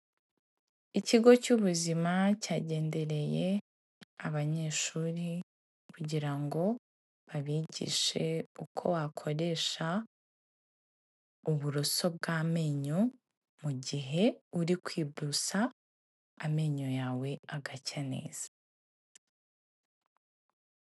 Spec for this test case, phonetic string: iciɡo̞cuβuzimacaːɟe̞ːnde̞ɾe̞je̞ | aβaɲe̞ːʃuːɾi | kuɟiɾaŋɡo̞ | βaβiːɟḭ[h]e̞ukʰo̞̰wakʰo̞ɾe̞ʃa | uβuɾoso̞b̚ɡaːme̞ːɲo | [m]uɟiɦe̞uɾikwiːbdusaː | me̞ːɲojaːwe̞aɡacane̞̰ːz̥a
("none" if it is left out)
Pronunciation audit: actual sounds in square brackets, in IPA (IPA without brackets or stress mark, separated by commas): ʃ, m